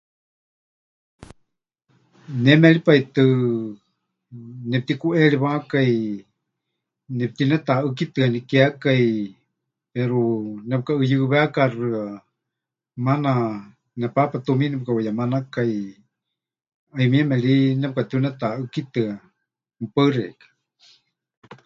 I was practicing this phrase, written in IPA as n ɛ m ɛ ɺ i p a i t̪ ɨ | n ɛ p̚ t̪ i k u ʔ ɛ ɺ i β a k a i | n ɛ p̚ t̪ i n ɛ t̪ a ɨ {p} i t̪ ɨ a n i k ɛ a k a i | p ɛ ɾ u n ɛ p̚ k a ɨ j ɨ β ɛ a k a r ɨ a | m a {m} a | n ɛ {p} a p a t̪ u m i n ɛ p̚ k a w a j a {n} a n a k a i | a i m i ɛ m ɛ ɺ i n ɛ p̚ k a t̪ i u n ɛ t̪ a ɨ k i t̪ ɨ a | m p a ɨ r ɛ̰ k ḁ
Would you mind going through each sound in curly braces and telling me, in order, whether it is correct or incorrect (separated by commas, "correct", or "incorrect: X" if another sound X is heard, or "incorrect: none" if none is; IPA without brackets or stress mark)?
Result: incorrect: k, incorrect: n, correct, incorrect: m